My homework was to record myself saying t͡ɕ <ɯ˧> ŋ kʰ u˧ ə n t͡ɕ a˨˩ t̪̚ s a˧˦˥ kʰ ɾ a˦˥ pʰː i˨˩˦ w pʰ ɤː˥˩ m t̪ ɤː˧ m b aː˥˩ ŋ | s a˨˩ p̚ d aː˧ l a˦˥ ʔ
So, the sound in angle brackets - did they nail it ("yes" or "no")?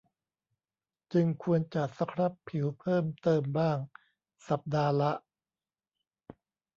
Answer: yes